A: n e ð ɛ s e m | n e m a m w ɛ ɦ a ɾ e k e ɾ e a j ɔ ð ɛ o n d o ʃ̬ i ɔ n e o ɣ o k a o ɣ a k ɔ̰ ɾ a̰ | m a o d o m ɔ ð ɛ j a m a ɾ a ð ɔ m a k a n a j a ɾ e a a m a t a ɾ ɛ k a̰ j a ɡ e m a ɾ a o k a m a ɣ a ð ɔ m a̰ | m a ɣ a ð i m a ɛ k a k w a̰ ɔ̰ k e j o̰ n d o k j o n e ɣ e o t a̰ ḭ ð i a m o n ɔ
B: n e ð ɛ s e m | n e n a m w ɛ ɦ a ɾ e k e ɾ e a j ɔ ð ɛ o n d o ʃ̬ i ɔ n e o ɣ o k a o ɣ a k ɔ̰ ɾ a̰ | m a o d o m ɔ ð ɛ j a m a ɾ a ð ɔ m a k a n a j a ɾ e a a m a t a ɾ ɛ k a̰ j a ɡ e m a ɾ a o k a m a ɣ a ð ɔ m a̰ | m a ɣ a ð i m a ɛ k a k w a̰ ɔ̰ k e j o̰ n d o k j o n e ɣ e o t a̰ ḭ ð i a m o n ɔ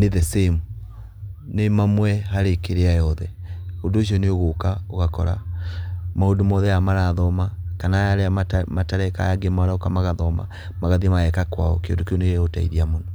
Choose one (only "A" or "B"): A